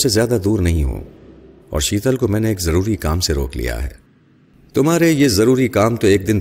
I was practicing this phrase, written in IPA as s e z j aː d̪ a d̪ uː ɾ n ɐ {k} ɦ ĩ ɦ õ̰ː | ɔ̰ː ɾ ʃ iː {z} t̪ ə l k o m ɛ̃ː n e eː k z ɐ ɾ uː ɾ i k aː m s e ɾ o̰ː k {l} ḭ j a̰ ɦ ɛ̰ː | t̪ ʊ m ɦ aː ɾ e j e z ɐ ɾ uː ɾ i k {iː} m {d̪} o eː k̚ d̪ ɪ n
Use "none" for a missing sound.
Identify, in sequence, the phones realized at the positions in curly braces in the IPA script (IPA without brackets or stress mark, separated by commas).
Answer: none, none, l, aː, t̪